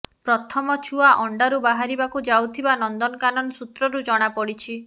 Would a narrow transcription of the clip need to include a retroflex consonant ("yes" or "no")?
yes